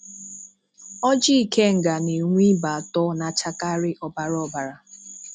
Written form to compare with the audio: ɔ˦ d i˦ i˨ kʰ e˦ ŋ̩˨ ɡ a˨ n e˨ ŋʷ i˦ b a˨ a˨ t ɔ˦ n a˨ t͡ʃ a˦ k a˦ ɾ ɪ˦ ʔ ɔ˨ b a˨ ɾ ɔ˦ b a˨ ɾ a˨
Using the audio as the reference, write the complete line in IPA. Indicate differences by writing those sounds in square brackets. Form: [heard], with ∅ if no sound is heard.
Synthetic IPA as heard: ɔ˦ [d͡ʒ] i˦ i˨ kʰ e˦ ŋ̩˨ ɡ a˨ n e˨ ŋʷ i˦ b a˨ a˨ t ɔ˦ n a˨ t͡ʃ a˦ k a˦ ɾ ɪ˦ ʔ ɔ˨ b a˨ ɾ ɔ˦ b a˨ ɾ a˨